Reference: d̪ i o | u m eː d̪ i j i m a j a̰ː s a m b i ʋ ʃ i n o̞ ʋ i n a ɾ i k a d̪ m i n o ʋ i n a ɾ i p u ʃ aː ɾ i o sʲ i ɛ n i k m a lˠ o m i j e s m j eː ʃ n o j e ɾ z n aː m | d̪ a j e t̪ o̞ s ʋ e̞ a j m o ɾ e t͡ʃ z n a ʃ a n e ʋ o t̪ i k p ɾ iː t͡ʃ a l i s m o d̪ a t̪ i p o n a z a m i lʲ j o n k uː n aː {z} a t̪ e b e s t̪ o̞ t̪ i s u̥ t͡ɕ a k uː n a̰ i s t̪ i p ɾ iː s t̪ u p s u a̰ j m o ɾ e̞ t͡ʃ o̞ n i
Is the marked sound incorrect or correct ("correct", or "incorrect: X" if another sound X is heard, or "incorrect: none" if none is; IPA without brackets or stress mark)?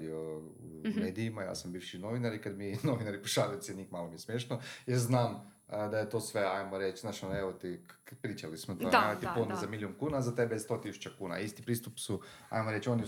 correct